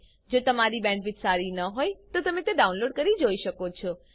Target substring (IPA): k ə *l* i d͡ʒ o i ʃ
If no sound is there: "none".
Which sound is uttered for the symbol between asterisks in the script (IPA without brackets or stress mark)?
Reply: ɾ